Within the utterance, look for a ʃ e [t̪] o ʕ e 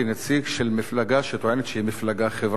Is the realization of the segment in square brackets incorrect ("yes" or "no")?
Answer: no